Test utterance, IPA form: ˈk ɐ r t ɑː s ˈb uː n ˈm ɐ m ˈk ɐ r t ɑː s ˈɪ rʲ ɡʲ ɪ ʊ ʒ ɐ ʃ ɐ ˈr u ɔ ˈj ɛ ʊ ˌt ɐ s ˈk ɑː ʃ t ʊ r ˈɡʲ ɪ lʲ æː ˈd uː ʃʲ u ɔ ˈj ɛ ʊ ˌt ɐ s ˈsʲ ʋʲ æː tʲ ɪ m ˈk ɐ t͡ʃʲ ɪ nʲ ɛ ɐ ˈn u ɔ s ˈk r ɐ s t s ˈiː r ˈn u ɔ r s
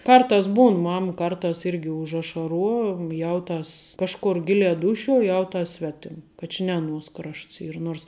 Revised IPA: ˈk ɐ r t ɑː s ˈb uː n ˈm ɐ m ˈk ɐ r t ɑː s ˈɪ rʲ ɡʲ ɪ ʊ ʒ ɐ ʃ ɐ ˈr u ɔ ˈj ɛ ʊ ˌt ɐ s ˈk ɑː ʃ k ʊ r ˈɡʲ ɪ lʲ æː ˈd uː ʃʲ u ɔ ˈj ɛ ʊ ˌt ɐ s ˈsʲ ʋʲ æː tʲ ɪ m ˈk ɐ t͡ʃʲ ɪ nʲ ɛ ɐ ˈn u ɔ s ˈk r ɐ ʃ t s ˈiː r ˈn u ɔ r s